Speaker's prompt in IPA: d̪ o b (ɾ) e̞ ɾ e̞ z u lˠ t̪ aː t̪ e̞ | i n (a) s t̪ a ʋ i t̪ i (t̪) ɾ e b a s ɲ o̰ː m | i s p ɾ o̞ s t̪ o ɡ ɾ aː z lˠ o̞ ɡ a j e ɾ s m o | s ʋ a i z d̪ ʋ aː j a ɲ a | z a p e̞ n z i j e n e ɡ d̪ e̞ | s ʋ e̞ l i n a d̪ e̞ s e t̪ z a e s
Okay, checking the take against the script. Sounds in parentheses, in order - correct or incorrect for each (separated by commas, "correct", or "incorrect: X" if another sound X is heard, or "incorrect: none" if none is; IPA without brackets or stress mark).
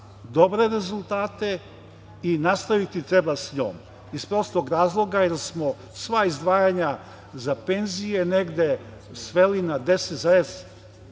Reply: correct, correct, correct